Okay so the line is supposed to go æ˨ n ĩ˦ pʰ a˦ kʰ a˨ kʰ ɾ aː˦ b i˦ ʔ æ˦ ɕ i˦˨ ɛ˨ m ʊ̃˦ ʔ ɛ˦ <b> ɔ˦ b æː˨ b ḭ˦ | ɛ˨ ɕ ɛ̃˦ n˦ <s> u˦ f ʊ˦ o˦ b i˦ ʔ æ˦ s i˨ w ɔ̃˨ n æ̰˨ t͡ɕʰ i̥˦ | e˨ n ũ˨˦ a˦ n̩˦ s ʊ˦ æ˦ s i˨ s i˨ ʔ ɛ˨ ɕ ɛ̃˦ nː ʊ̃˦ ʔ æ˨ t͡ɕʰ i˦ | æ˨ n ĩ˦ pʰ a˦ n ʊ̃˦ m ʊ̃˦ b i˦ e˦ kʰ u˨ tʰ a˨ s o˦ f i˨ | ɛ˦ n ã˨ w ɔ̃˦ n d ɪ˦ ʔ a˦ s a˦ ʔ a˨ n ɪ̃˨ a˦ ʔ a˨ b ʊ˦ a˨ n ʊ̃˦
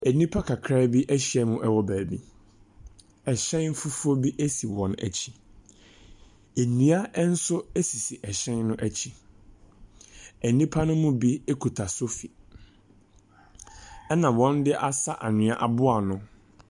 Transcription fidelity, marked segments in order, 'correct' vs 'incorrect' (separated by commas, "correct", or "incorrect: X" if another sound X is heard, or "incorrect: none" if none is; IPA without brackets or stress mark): incorrect: w, incorrect: f